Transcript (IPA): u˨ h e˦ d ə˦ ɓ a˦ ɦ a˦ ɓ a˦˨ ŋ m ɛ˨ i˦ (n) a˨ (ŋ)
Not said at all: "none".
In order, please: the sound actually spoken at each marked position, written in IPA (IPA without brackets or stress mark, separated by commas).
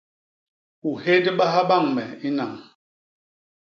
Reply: n, ŋ